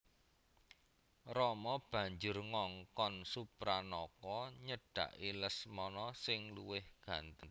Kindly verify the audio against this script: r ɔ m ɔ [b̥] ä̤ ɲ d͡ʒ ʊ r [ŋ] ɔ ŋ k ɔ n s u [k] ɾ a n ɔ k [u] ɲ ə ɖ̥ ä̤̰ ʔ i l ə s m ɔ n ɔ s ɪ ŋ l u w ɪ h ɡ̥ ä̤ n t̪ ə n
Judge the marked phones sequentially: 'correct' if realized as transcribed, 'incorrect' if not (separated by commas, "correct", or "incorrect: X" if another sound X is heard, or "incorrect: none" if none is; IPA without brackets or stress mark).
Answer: correct, correct, incorrect: p, incorrect: ɔ